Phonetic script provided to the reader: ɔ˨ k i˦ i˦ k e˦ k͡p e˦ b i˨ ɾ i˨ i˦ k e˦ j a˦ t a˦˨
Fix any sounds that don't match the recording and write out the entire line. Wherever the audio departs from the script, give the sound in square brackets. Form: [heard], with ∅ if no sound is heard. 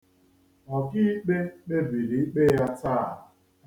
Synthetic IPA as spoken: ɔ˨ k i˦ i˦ [k͡p] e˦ k͡p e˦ b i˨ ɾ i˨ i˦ [k͡p] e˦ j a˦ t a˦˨